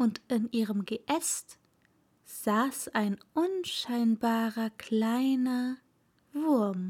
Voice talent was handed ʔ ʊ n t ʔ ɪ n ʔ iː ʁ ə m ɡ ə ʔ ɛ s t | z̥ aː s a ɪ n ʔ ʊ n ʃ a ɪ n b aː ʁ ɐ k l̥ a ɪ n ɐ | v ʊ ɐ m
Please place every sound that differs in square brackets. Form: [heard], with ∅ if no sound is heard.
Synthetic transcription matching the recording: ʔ ʊ n t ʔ ɪ n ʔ iː ʁ ə m ɡ ə ʔ ɛ s t | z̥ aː s a ɪ n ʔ ʊ n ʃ a ɪ n b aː ʁ ɐ k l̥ a ɪ n ɐ | v ʊ ɐ m